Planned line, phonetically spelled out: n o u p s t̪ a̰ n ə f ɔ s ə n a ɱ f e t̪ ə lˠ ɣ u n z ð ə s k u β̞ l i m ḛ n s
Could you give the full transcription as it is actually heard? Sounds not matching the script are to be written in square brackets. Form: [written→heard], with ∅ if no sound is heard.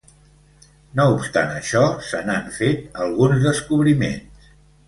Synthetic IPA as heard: n o u p s t̪ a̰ n ə [f→ʃ] ɔ s ə n a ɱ f e t̪ ə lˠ ɣ u n z ð ə s k u β̞ [l→ɾ] i m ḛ n s